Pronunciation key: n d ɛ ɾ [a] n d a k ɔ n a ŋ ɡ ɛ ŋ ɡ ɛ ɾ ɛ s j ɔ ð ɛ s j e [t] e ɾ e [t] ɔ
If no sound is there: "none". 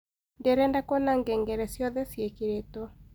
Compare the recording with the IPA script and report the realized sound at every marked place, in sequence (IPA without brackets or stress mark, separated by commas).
ɛ, k, t